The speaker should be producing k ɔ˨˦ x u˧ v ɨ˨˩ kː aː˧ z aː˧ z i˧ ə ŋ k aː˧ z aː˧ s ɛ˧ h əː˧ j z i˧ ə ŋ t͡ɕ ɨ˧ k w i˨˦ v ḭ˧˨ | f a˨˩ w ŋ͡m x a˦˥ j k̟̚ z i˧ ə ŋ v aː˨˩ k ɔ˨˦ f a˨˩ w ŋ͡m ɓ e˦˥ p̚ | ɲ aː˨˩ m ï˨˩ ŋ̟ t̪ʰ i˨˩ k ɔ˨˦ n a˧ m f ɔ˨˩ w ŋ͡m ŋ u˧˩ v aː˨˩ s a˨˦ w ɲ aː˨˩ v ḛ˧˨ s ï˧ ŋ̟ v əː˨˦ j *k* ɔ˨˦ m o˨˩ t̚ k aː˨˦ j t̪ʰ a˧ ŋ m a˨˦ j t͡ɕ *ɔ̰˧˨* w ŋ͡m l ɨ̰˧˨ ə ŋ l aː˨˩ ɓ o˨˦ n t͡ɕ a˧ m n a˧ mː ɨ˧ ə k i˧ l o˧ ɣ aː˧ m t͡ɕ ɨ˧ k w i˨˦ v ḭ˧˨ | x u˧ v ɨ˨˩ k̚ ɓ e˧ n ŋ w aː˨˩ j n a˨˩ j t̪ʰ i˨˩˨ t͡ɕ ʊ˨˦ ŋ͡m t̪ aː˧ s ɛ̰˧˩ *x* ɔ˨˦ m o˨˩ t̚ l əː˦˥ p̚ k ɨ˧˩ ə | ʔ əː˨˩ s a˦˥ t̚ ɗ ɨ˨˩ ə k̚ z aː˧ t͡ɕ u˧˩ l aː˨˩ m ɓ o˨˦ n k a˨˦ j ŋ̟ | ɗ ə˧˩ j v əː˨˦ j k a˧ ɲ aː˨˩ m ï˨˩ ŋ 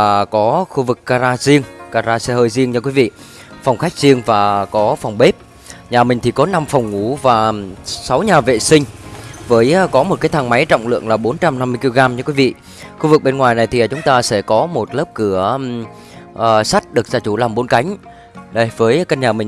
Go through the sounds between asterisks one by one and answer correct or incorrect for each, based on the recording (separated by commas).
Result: correct, correct, incorrect